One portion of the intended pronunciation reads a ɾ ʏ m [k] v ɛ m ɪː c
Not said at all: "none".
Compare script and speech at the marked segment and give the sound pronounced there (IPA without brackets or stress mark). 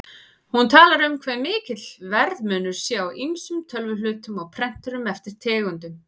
kʰ